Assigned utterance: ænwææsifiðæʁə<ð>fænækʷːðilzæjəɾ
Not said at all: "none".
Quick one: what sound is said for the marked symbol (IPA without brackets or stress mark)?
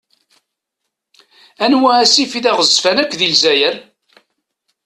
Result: z